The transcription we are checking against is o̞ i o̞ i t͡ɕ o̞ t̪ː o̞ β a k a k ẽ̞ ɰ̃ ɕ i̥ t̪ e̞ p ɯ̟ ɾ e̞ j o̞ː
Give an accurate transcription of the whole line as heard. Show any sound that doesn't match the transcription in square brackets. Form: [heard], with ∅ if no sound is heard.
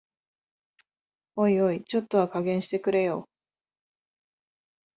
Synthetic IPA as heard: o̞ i o̞ i t͡ɕ o̞ t̪ː o̞ β a k a [ɡ] ẽ̞ ɰ̃ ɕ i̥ t̪ e̞ [k] ɯ̟ ɾ e̞ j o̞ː